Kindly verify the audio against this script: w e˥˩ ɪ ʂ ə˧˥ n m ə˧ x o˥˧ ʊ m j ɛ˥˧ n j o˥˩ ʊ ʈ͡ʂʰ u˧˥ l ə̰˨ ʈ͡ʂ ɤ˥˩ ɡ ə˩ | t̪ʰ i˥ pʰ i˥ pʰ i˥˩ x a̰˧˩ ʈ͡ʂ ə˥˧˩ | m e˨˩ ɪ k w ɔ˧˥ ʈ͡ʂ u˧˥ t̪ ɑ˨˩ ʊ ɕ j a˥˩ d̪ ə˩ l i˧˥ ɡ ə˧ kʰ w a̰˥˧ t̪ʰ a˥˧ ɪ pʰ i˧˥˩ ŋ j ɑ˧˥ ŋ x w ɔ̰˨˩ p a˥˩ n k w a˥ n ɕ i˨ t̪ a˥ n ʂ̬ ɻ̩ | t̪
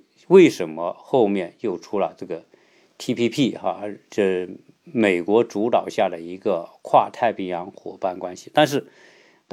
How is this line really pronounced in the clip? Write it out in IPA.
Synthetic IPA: w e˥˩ ɪ ʂ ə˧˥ n m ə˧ x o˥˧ ʊ m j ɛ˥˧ n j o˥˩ ʊ ʈ͡ʂʰ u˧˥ l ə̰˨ ʈ͡ʂ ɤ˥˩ ɡ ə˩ | t̪ʰ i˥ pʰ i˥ pʰ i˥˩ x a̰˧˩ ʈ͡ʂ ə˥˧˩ | m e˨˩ ɪ k w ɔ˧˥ ʈ͡ʂ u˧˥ t̪ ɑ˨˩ ʊ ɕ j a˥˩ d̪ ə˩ i˧˥ ɡ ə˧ kʰ w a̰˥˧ t̪ʰ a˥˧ ɪ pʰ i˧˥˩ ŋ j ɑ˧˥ ŋ x w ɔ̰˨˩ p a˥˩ n k w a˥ n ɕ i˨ t̪ a˥˧ n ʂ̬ ɻ̩ | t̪